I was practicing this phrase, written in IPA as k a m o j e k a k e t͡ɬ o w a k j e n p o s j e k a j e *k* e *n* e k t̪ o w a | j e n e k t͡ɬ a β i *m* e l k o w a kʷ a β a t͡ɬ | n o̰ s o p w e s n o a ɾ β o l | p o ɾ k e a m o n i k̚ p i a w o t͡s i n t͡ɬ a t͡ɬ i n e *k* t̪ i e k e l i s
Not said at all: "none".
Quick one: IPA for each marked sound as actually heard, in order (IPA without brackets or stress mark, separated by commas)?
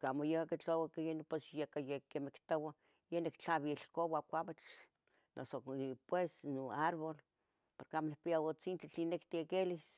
k, m, none, k